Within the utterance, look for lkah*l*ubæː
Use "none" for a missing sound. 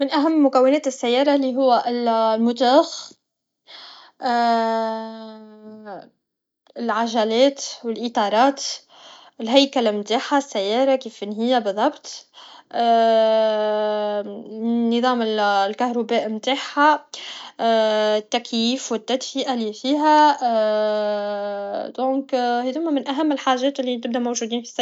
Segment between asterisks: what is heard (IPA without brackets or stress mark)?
ɾ